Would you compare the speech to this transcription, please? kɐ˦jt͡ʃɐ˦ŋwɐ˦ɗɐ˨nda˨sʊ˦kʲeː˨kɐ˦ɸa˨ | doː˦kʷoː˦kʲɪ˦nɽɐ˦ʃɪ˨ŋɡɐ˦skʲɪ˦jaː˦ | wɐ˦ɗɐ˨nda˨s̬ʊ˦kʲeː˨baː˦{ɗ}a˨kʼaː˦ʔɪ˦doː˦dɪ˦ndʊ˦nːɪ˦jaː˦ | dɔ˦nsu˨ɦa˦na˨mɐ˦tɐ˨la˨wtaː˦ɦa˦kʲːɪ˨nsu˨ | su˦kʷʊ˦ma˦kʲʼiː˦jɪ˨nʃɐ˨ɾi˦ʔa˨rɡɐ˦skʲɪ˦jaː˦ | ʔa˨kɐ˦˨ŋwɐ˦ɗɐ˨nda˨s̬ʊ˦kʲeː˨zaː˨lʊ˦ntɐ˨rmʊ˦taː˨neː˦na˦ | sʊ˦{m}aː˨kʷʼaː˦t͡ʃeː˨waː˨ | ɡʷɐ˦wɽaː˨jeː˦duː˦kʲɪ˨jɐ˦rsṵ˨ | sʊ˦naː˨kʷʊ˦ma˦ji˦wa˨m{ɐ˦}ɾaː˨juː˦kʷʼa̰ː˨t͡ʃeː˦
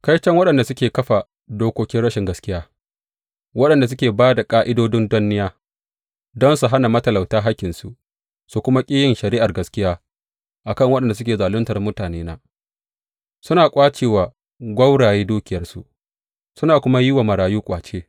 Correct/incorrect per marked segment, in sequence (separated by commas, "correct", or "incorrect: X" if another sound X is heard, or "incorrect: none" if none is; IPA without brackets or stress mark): incorrect: d, incorrect: n, incorrect: ɐ˨